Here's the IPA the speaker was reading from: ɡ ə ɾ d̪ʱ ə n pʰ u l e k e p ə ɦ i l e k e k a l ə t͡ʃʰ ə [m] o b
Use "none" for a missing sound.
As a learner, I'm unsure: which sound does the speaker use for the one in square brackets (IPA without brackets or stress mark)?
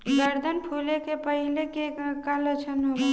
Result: n